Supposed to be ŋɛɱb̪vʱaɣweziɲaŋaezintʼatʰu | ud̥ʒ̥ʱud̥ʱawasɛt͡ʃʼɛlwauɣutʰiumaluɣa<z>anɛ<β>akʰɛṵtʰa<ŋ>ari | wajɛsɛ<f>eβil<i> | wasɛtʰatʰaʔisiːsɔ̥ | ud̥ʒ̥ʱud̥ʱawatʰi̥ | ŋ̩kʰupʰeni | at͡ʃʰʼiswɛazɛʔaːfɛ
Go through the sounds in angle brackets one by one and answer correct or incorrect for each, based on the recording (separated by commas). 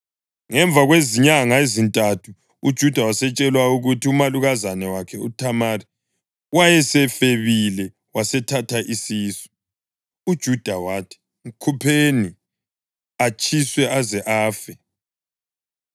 correct, incorrect, incorrect, correct, incorrect